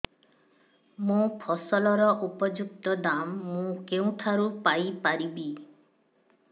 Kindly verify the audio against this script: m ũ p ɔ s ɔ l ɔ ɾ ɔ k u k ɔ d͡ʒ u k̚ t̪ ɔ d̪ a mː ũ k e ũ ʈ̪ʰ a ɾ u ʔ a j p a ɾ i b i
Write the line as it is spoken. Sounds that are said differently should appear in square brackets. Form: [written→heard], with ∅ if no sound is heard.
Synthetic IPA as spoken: m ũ [p→pʰ] ɔ s ɔ l ɔ ɾ ɔ [k→ʔ] u [k→p] ɔ d͡ʒ u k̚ t̪ ɔ d̪ a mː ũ k e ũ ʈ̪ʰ a ɾ u [ʔ→p] a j p a ɾ i b i